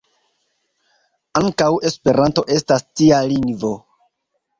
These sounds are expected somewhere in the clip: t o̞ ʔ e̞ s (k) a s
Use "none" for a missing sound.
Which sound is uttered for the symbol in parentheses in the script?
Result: t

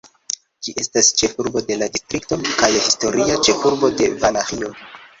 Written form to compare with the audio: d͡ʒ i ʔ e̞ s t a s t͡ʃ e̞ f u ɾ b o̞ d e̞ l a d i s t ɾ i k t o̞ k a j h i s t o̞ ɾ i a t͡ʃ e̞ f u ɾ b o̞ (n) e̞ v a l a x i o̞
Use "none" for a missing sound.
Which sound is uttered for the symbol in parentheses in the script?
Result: d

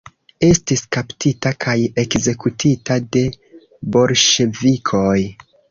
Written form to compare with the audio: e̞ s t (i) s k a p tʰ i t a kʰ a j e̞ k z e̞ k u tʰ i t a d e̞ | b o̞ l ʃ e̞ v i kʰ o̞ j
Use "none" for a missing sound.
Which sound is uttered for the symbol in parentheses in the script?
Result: i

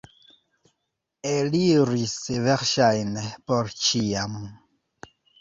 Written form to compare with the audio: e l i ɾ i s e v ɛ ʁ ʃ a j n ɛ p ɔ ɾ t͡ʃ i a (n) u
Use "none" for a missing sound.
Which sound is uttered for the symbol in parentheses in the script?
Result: m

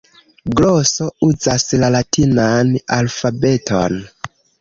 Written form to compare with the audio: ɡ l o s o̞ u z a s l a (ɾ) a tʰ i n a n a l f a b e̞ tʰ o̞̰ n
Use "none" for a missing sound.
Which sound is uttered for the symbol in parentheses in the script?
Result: l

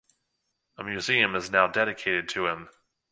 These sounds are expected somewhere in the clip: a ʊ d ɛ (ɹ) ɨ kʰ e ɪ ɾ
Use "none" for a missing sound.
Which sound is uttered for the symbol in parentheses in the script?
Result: ɾ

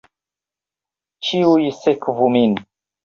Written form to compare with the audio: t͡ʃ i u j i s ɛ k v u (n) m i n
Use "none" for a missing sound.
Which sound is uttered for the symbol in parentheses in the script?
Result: none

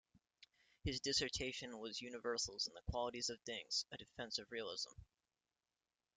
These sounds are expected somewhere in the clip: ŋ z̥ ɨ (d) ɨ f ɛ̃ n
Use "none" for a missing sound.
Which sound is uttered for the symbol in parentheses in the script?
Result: d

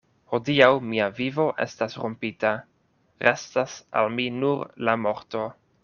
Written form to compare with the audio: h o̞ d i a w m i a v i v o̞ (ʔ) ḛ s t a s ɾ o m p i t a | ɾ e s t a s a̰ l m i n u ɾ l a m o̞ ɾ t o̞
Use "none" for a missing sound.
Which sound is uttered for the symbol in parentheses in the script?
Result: ʔ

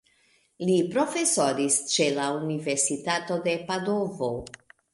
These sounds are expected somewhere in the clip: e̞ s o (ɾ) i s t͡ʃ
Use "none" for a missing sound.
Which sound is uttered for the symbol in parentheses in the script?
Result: ɾ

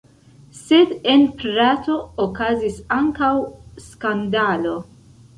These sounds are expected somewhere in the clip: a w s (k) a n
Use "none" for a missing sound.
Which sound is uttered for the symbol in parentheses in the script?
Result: k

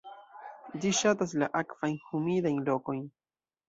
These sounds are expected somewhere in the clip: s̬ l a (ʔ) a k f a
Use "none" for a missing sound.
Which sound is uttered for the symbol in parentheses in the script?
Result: ʔ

